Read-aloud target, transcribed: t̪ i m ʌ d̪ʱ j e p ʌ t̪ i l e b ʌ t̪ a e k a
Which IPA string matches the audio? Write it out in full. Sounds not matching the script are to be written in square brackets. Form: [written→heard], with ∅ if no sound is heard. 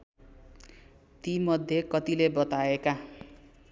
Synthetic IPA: t̪ i m ʌ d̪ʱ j e [p→k] ʌ t̪ i l e b ʌ t̪ a e k a